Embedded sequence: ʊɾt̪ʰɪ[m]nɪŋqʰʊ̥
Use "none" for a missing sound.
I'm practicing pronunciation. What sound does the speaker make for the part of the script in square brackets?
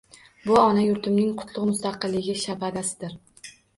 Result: m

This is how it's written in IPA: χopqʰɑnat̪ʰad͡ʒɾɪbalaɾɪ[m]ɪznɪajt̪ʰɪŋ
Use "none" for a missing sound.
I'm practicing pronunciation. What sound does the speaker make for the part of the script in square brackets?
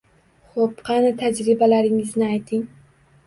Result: ŋ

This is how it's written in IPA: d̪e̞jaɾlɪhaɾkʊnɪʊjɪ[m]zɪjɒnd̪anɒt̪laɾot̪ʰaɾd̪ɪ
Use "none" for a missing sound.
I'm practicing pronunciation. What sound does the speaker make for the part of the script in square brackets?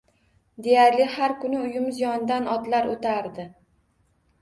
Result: m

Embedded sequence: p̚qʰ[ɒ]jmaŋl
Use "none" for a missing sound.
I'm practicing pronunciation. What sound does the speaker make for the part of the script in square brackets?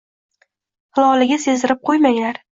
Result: o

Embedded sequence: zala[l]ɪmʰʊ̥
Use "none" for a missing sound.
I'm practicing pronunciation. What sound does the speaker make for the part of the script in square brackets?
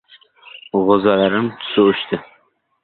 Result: ɾ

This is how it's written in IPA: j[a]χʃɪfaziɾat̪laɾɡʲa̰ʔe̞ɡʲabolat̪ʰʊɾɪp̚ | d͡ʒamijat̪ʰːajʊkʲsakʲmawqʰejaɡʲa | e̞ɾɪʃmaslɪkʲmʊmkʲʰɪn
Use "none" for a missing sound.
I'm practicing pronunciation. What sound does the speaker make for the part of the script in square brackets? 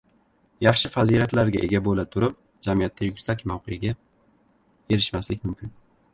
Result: ɑ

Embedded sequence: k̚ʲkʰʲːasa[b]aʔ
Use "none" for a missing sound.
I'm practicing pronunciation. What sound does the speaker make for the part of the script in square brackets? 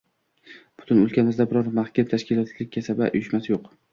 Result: b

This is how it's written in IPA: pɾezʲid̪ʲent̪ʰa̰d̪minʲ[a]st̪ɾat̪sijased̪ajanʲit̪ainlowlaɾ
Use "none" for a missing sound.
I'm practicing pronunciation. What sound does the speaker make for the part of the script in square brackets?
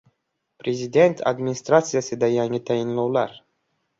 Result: i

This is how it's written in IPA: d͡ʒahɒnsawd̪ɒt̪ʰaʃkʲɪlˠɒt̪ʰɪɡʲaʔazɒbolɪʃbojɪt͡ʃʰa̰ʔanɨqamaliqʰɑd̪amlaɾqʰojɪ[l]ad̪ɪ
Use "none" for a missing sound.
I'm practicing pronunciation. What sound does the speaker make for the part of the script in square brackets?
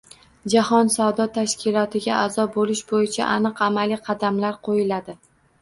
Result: l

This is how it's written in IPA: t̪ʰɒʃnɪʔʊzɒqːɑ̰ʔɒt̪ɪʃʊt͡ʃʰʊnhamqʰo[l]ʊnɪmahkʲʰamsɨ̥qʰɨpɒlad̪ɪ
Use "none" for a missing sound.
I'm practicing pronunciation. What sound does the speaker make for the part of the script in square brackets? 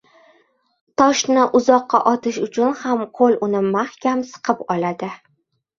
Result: l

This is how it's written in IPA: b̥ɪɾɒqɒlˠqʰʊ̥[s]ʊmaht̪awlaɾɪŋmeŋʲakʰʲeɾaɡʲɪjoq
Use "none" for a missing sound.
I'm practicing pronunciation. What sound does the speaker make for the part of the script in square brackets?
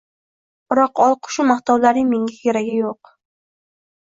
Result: ʃ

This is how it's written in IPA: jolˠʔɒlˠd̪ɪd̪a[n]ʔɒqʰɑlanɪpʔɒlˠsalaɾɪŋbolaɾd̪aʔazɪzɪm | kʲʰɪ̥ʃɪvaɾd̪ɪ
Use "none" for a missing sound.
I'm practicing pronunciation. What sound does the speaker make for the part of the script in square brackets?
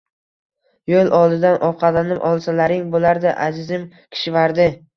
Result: n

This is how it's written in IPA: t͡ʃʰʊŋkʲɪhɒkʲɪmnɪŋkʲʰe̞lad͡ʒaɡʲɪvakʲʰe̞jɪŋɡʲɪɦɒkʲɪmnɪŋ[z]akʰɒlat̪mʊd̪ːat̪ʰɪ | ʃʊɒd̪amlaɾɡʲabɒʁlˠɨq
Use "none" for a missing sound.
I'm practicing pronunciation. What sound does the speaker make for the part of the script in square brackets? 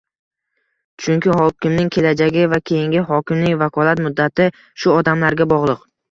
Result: v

